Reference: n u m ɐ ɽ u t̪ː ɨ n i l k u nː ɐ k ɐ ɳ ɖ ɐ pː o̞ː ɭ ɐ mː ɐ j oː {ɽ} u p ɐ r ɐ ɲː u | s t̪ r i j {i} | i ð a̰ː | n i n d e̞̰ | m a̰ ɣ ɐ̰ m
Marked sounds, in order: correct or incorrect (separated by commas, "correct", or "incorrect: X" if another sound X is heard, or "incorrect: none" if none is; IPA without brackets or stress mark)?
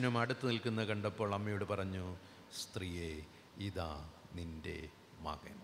correct, incorrect: e